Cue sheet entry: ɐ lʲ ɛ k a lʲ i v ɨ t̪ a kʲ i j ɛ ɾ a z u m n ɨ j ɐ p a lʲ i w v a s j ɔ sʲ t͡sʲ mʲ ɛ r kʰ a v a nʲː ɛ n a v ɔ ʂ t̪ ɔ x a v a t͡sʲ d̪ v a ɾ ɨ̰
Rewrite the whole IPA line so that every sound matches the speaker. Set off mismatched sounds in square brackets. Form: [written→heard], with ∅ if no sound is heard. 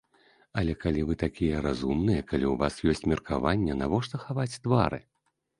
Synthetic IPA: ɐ lʲ ɛ k a lʲ i v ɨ t̪ a kʲ i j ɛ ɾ a z u m n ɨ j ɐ [p→k] a lʲ i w v a s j ɔ sʲ t͡sʲ mʲ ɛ r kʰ a v a nʲː ɛ n a v ɔ ʂ t̪ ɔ x a v a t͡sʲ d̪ v a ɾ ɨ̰